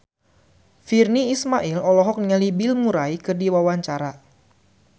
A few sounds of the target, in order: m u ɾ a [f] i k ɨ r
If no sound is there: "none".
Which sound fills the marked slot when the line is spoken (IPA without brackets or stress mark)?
none